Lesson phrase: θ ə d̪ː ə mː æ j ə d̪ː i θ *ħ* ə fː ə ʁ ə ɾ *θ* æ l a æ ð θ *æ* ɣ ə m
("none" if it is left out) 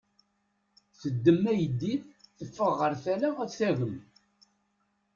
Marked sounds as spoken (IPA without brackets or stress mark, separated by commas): θ, θ, æ